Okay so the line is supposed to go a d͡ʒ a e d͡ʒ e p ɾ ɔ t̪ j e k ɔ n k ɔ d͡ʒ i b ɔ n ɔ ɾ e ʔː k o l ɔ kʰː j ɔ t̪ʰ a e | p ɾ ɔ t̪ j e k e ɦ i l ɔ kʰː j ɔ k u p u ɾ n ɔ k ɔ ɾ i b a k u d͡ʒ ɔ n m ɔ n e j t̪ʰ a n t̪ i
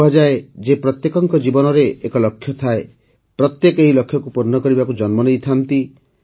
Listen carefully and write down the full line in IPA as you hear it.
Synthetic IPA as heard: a d͡ʒ a e d͡ʒ e p ɾ ɔ t̪ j e k ɔ ŋ k ɔ d͡ʒ i b ɔ n ɔ ɾ e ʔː k ɔ l ɔ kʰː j ɔ t̪ʰ a e | p ɾ ɔ t̪ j e k e ɦ i l ɔ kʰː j ɔ k u p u ɾ n ɔ k ɔ ɾ i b a k u d͡ʒ ɔ n m ɔ n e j t̪ʰ a n t̪ i